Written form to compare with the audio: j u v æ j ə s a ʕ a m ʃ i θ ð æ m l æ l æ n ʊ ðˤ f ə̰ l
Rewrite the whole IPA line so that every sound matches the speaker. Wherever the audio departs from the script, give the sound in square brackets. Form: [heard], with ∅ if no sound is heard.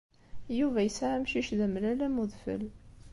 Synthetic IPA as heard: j u v æ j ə s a ʕ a m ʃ i [ʃ] ð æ m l æ l æ [m] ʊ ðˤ f ə̰ l